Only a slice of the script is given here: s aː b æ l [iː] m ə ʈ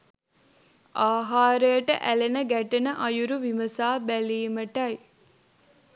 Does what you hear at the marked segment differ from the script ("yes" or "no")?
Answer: no